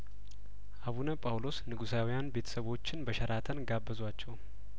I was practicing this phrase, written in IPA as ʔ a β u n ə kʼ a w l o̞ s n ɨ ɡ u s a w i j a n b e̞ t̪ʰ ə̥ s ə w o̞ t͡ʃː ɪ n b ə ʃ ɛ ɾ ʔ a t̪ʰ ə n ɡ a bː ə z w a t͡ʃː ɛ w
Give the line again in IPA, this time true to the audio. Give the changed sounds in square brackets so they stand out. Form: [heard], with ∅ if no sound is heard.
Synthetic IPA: ʔ a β u n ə [pʼ] a w l o̞ s n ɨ ɡ u s a w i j a n b e̞ t̪ʰ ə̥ s ə [β] o̞ t͡ʃː ɪ n b ə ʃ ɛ ɾ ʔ a t̪ʰ ə n ɡ a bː ə z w a t͡ʃː ɛ w